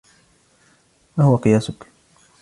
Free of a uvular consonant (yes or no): no